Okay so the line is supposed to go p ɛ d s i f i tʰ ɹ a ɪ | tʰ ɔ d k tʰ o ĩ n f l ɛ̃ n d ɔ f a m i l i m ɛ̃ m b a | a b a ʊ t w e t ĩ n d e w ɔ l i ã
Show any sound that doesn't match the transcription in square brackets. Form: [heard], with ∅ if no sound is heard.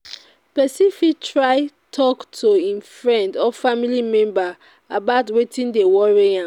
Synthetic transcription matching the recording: p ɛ [∅] s i f i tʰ ɹ a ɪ | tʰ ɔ [∅] k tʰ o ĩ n f [ɹ] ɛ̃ n d ɔ f a m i l i m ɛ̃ m b a | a b a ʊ t w e t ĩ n d e w ɔ [ɹ] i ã